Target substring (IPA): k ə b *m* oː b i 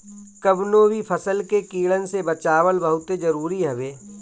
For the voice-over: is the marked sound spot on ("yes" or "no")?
no